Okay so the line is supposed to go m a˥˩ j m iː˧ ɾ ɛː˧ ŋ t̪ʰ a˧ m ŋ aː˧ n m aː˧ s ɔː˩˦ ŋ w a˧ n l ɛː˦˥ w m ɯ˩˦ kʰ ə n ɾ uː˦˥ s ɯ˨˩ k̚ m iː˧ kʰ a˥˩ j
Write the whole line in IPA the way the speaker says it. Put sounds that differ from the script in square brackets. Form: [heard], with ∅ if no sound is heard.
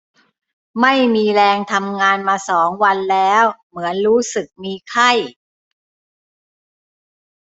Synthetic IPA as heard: m a˥˩ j m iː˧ ɾ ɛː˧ ŋ t̪ʰ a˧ m ŋ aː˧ n m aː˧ s ɔː˩˦ ŋ w a˧ n l ɛː˦˥ w m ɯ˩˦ [∅] ə n ɾ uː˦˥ s ɯ˨˩ k̚ m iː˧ kʰ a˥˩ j